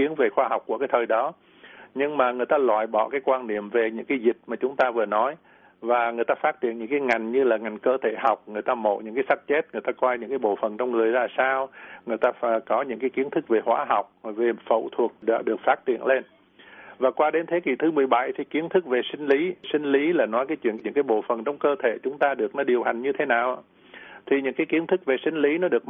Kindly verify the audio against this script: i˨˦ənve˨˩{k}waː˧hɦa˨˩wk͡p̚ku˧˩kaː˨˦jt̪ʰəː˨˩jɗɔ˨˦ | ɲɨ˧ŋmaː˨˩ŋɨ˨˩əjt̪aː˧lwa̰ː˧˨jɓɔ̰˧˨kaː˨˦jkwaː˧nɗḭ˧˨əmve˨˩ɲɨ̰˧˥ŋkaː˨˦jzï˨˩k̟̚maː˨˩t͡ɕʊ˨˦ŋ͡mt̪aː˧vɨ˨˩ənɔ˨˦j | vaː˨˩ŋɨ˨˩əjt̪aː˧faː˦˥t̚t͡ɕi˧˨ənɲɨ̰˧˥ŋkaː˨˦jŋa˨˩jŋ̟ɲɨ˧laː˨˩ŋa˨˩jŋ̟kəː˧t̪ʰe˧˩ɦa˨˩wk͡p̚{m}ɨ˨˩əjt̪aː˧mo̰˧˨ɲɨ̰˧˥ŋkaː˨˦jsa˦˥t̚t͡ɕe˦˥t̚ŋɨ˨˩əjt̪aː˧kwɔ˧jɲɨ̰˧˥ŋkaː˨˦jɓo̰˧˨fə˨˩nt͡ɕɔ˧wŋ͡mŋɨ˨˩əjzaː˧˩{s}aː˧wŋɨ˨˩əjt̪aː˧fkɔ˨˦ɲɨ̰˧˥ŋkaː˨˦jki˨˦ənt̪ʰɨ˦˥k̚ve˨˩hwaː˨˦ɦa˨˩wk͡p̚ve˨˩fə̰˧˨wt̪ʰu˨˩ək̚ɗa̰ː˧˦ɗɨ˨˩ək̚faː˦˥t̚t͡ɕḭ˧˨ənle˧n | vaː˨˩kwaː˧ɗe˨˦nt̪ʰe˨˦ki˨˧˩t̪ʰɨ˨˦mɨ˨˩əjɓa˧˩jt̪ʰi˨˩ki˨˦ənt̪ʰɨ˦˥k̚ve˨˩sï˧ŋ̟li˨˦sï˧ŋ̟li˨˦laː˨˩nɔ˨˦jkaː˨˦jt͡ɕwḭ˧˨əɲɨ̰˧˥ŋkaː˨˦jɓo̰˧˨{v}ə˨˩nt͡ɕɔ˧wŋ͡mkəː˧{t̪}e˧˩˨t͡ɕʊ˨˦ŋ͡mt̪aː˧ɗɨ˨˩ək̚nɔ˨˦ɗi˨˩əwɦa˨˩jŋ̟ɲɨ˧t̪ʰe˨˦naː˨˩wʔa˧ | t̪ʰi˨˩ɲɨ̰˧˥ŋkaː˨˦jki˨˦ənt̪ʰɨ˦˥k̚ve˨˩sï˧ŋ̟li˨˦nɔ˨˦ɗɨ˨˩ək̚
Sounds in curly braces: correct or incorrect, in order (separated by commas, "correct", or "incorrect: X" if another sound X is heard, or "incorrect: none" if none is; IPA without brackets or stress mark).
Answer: incorrect: x, incorrect: ŋ, correct, incorrect: f, incorrect: t̪ʰ